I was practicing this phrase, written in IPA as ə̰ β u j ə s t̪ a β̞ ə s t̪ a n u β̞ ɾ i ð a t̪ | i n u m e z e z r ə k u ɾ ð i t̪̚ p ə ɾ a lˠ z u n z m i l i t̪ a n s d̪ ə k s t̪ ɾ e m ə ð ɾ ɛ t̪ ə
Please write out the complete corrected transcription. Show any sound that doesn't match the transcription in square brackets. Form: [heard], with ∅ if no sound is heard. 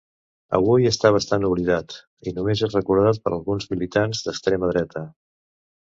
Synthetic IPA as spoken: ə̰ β u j ə s t̪ a β̞ ə s t̪ a n u β̞ [l] i ð a t̪ | i n u m e z e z r ə k u ɾ ð [a] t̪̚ p ə ɾ [ə] lˠ [ɣ] u n z m i l i t̪ a n [z] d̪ ə k s t̪ ɾ e m ə ð ɾ ɛ t̪ ə